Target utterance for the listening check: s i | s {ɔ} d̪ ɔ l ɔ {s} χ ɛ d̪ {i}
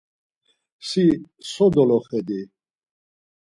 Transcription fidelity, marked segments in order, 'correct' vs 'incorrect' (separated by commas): correct, incorrect, correct